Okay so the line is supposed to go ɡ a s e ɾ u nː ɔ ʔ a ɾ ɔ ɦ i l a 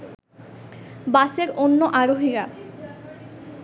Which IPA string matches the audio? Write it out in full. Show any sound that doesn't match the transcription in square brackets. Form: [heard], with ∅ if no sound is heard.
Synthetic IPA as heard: [b] a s e ɾ [o] nː [o] ʔ a ɾ [o] ɦ i [ɾ] a